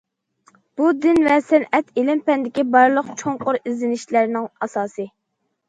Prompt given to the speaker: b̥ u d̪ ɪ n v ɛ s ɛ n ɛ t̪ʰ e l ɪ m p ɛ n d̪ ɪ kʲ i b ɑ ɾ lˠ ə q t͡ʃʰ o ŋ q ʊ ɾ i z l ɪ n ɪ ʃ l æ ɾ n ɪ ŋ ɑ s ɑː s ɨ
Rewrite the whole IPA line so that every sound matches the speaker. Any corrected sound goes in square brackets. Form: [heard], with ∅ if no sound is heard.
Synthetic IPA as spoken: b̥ u d̪ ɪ n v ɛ s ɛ n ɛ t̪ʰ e l ɪ m p ɛ n d̪ ɪ kʲ i b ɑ ɾ lˠ ə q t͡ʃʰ o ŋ q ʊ ɾ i z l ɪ n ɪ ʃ l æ ɾ n ɪ ŋ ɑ s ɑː s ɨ